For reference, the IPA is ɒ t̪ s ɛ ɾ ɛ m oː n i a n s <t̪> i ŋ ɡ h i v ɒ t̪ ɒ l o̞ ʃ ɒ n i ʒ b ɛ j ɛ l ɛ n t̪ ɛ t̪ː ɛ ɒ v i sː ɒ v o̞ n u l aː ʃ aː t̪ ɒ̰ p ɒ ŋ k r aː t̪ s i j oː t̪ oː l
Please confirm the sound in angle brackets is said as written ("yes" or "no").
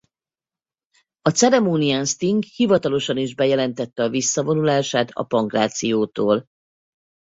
yes